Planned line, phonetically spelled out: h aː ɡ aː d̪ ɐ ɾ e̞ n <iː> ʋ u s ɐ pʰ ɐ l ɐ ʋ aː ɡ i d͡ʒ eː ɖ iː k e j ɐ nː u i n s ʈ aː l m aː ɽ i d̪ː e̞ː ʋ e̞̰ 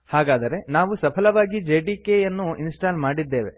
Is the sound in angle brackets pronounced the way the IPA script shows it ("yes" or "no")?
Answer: no